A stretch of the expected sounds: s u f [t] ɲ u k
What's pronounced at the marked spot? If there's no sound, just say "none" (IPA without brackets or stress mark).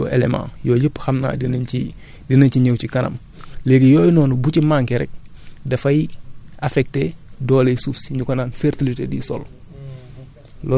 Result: s